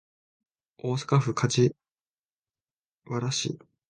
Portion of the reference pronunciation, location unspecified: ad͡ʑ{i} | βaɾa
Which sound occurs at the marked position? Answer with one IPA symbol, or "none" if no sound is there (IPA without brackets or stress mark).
i